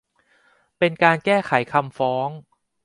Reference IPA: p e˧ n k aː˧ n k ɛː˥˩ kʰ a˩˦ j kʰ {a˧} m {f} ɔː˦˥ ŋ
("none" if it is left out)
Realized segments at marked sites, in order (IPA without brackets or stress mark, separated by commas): a˧, f